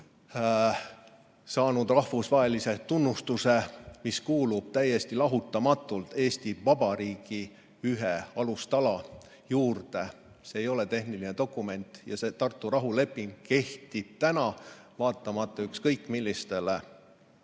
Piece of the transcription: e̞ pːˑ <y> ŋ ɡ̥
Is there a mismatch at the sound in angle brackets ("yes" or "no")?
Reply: yes